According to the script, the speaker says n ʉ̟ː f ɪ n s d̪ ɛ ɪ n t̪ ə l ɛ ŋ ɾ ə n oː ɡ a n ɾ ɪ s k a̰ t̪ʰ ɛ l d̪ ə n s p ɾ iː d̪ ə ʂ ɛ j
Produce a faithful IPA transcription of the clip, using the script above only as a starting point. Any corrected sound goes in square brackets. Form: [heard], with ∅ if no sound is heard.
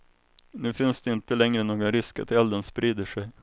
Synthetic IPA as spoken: n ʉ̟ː f ɪ n s d̪ ɛ ɪ n t̪ ə l ɛ ŋ ɾ ə n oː ɡ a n ɾ ɪ s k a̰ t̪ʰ ɛ l d̪ ə n s p ɾ iː d̪ ə ʂ ɛ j